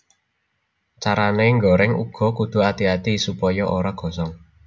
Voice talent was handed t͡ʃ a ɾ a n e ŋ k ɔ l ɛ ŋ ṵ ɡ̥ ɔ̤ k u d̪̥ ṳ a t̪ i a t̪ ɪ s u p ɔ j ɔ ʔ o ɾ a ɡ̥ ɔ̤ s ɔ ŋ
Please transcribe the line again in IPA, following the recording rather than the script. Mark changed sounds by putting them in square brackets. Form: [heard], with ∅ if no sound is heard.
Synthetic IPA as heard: t͡ʃ a ɾ a n e ŋ [ɡ] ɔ [ɾ] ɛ ŋ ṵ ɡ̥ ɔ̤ k u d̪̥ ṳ a t̪ i a t̪ [i] s u p ɔ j ɔ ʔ o ɾ a ɡ̥ ɔ̤ s ɔ ŋ